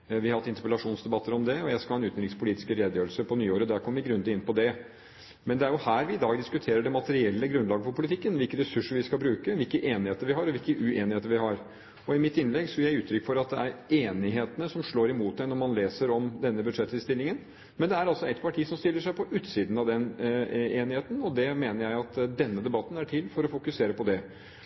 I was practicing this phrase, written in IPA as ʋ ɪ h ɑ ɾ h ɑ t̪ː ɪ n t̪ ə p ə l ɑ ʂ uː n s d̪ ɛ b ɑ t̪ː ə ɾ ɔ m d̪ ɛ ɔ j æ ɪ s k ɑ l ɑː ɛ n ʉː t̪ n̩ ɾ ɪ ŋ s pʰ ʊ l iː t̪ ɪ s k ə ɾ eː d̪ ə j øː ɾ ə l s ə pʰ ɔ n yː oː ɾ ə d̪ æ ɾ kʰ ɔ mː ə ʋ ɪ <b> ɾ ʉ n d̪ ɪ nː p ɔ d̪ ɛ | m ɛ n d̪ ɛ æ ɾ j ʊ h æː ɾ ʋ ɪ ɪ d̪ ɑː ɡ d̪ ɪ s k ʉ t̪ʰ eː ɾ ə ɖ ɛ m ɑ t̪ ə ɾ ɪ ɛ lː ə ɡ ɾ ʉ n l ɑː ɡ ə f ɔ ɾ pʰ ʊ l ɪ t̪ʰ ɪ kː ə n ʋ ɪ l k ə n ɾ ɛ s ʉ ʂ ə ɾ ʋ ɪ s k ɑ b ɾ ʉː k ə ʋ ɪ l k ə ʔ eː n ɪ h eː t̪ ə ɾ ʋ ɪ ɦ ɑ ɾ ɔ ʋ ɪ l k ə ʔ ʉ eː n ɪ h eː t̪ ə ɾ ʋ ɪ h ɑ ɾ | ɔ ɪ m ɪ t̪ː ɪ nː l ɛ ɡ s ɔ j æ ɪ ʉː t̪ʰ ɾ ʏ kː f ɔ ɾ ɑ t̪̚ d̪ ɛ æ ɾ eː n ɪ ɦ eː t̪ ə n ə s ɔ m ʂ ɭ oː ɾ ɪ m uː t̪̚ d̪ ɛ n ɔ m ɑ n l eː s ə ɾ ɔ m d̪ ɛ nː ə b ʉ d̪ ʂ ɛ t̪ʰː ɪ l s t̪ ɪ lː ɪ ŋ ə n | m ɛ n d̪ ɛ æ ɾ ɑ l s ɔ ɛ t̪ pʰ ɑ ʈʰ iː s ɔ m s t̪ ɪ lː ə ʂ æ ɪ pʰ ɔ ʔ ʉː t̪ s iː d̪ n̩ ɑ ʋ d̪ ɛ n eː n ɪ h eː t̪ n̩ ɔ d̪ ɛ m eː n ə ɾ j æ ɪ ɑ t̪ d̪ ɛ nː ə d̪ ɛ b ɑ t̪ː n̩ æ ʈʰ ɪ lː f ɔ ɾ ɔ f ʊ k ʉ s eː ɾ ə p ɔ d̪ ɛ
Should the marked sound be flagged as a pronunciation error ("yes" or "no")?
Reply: yes